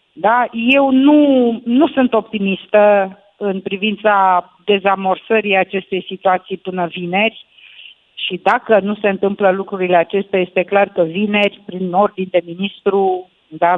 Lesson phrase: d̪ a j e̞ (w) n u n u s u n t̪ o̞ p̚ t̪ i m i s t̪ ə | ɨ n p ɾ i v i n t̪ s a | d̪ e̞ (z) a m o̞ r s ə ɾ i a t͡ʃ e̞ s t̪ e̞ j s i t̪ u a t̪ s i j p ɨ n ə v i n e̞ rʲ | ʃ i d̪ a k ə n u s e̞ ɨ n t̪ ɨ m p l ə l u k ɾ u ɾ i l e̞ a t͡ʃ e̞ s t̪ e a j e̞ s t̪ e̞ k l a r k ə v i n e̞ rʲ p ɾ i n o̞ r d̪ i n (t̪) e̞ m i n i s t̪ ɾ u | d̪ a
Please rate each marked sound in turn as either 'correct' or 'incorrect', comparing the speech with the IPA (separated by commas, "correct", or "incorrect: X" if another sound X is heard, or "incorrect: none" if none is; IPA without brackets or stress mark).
correct, correct, incorrect: d̪